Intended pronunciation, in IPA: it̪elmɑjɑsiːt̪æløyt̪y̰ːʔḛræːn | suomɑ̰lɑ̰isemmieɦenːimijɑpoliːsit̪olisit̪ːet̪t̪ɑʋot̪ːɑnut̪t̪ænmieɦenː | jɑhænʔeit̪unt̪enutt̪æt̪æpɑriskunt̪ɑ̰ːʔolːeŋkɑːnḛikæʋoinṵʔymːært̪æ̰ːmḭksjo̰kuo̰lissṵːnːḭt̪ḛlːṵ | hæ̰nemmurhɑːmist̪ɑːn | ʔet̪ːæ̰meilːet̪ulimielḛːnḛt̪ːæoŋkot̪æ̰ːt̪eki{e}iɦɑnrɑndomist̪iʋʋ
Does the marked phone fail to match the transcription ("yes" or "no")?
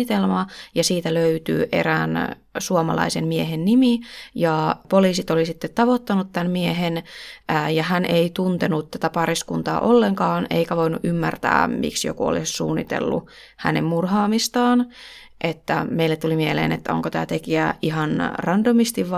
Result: yes